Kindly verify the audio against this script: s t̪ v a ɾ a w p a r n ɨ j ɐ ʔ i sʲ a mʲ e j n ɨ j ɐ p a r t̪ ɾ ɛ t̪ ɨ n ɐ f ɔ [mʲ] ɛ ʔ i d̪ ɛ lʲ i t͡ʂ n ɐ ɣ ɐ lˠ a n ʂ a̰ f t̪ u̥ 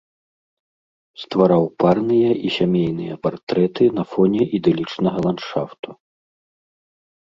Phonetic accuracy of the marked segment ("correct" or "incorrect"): incorrect